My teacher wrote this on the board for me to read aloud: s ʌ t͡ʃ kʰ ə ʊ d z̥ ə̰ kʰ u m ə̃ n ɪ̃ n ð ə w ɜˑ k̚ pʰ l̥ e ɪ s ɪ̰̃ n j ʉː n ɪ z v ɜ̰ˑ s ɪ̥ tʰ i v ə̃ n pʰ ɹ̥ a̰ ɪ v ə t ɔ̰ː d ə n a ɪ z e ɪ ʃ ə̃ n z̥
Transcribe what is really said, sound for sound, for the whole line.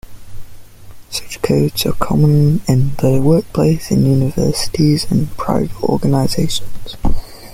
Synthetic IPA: s ʌ t͡ʃ kʰ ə ʊ d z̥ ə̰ kʰ ɒ m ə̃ n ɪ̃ n ð ə w ɜˑ k̚ pʰ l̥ e ɪ s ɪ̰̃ n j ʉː n ɪ v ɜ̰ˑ s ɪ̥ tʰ i z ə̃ n pʰ ɹ̥ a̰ ɪ v ə t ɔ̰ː ɡ ə n a ɪ z e ɪ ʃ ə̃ n z̥